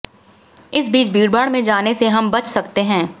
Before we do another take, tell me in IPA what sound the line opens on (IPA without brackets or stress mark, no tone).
ɪ